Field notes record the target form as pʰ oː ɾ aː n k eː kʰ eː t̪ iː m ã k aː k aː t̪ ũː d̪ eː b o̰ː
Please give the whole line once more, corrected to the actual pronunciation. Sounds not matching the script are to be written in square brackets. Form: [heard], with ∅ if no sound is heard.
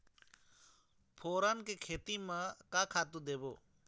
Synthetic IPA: pʰ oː ɾ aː n k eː kʰ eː t̪ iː m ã k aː [kʰ] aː t̪ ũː d̪ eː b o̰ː